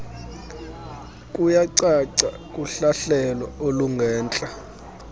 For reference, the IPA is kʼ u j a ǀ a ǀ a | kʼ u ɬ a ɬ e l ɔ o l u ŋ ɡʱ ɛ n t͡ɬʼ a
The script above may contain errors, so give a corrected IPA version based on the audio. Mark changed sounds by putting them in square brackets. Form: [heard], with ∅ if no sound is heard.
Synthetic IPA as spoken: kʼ u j a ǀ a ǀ a | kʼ u ɬ a ɬ [ɛ] l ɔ o l u ŋ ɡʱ [ɛː] n t͡ɬʼ a